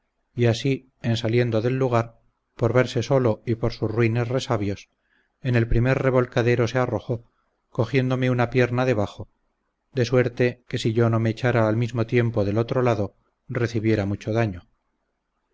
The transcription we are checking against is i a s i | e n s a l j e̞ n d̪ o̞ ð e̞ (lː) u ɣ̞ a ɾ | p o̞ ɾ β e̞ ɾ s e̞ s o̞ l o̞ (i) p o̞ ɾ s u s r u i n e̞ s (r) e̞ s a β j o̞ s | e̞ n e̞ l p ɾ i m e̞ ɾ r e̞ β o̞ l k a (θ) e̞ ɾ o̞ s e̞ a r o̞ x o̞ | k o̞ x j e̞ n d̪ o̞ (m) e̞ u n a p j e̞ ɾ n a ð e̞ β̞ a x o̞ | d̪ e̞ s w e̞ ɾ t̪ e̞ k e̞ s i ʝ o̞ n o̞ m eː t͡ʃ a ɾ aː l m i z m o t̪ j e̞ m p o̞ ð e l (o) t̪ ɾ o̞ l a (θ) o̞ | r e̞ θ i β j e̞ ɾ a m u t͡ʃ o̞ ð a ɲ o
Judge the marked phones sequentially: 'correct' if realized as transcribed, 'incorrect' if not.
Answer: correct, correct, correct, incorrect: ð, correct, correct, incorrect: ð

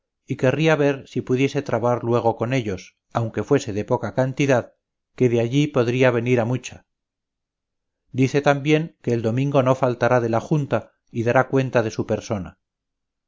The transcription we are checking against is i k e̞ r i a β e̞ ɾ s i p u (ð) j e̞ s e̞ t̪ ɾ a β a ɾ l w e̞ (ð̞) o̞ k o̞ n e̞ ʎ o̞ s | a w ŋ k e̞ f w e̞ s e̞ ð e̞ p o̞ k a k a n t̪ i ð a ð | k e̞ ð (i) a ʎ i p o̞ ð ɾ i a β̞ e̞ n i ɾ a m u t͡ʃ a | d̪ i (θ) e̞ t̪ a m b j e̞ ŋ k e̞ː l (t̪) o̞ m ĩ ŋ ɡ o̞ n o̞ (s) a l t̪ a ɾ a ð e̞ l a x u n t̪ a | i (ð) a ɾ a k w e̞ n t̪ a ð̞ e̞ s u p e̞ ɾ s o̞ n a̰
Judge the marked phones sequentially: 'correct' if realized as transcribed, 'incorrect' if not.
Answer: correct, incorrect: ɣ̞, incorrect: e, correct, incorrect: d̪, incorrect: f, correct

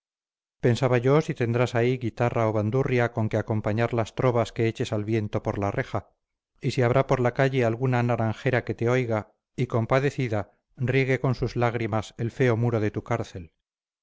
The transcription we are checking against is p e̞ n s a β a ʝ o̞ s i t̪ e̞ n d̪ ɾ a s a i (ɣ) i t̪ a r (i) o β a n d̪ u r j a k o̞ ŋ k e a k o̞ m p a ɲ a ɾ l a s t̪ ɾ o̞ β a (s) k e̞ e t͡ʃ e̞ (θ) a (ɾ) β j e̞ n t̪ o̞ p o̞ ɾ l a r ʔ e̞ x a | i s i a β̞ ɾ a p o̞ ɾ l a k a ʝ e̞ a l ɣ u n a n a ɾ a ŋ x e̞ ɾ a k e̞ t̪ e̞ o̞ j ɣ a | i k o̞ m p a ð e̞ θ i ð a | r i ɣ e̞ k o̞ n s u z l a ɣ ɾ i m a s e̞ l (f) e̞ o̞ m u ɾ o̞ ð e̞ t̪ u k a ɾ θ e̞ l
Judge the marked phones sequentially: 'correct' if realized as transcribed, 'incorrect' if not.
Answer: correct, incorrect: a, correct, incorrect: s, incorrect: l, correct

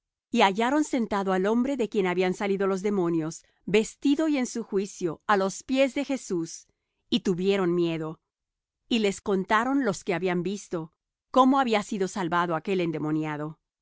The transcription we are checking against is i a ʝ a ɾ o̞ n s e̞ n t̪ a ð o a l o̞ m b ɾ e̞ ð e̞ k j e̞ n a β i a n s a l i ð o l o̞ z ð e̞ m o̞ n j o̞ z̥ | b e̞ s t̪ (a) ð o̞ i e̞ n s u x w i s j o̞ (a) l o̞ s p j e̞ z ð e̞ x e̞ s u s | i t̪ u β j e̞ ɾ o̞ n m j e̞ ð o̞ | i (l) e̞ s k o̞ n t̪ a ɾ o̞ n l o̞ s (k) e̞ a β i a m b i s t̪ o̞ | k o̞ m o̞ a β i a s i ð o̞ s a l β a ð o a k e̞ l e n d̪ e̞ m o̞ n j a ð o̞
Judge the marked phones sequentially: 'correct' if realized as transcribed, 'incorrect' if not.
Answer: incorrect: i, correct, correct, correct

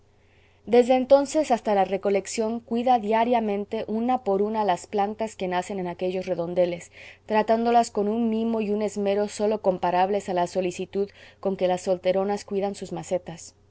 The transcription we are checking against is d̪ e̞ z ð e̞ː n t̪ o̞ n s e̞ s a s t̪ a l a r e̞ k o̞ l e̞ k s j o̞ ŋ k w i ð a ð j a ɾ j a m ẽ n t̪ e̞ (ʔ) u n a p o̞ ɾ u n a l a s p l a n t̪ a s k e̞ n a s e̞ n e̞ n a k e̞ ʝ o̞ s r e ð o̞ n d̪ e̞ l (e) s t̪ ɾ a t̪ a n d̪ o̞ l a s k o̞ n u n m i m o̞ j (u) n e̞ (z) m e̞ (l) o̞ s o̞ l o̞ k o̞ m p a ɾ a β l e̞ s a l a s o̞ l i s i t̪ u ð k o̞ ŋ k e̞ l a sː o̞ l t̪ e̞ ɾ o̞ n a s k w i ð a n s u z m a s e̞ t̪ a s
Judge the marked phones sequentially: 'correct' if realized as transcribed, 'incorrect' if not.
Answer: correct, correct, correct, correct, incorrect: ɾ

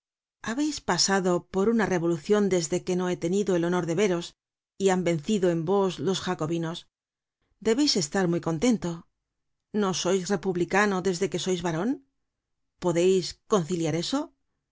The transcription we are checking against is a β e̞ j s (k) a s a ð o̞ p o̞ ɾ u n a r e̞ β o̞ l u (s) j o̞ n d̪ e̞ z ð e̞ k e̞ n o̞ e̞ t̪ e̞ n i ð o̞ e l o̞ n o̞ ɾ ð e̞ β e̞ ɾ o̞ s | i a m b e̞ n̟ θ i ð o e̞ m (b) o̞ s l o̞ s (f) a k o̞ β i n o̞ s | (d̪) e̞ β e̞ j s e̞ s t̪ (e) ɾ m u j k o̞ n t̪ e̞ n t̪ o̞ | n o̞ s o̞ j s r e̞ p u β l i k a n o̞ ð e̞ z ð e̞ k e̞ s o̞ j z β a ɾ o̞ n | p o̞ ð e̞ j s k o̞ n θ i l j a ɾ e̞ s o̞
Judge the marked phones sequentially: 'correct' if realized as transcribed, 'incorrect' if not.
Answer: incorrect: p, incorrect: θ, correct, incorrect: x, correct, incorrect: a

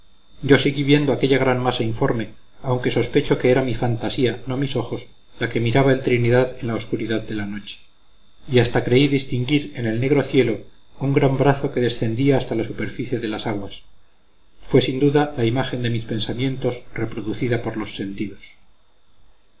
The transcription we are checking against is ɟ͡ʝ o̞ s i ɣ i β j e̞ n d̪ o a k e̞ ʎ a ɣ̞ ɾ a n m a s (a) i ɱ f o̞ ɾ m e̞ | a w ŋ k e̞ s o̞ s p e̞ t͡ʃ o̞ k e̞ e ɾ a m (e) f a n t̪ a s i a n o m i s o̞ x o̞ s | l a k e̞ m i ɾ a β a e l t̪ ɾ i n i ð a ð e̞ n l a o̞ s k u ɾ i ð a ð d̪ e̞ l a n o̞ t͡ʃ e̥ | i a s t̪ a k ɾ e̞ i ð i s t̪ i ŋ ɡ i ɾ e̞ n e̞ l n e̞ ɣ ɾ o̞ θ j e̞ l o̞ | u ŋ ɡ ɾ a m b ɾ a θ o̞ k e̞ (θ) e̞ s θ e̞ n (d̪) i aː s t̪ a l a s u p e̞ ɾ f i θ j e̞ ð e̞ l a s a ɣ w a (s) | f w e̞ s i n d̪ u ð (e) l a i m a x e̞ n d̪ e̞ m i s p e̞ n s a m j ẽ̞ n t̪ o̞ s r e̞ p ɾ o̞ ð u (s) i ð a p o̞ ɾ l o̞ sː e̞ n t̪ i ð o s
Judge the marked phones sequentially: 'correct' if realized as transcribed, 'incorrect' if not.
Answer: correct, incorrect: i, incorrect: ð, correct, correct, incorrect: a, incorrect: θ

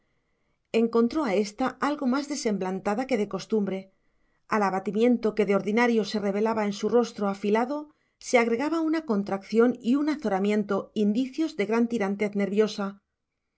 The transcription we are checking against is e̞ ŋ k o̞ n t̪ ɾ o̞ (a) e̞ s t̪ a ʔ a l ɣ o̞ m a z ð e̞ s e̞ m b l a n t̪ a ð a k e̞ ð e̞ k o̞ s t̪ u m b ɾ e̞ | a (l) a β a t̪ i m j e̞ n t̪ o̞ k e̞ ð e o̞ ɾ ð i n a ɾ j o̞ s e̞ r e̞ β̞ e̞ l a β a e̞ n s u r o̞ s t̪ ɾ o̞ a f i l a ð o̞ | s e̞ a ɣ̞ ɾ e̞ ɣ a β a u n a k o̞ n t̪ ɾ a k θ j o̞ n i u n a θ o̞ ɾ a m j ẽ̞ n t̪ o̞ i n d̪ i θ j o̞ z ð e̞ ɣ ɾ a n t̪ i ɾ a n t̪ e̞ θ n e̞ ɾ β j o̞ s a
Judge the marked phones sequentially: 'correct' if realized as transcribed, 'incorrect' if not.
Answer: correct, correct

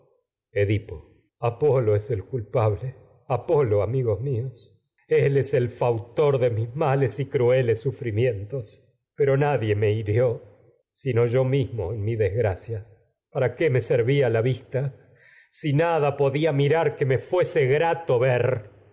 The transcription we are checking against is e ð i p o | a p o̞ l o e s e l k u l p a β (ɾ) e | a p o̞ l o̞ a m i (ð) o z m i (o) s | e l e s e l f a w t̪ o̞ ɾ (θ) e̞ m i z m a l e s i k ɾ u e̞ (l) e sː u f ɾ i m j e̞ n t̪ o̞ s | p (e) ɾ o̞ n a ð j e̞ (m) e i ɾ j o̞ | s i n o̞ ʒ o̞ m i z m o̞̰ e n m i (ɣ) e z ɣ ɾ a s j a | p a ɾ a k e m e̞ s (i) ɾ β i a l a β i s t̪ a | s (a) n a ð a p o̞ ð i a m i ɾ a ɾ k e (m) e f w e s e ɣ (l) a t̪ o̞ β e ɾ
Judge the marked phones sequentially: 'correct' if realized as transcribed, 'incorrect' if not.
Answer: incorrect: l, incorrect: ɣ, correct, incorrect: ð, correct, correct, correct, incorrect: ð, incorrect: e, incorrect: i, correct, incorrect: ɾ

